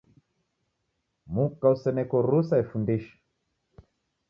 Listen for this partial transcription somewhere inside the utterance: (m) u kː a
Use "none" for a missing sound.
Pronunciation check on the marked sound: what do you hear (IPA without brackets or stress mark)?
m